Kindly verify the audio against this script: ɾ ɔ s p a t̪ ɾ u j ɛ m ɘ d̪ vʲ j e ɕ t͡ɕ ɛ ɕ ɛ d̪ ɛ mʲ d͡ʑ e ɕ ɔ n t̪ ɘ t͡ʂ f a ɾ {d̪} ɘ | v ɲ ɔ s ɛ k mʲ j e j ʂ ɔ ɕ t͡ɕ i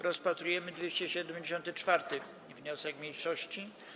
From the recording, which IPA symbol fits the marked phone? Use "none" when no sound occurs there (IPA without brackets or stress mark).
t̪